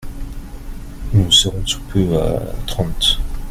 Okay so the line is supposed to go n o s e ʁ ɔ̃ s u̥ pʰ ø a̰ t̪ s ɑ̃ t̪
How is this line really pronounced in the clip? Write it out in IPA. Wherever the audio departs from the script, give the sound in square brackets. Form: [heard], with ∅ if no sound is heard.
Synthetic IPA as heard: n [u] s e ʁ ɔ̃ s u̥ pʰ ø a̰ t̪ [χ] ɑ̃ t̪